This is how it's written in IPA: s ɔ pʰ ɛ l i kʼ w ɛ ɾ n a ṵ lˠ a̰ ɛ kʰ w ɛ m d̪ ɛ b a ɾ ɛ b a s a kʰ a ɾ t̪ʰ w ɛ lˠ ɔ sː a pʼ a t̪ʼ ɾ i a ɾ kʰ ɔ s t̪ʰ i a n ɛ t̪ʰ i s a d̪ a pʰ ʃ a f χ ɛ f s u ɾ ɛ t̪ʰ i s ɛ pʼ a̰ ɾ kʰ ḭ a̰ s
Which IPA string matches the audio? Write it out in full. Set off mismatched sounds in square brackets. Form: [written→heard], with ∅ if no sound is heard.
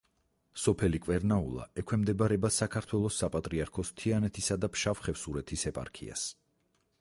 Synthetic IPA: s ɔ pʰ ɛ l i kʼ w ɛ ɾ n a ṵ lˠ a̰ ɛ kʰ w ɛ m d̪ ɛ b a ɾ ɛ b a s a kʰ a ɾ t̪ʰ w ɛ lˠ ɔ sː a pʼ a t̪ʼ ɾ i a ɾ kʰ ɔ s t̪ʰ i a n ɛ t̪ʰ i s a d̪ a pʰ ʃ a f χ ɛ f s u ɾ ɛ t̪ʰ i s ɛ pʼ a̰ ɾ kʰ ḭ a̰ s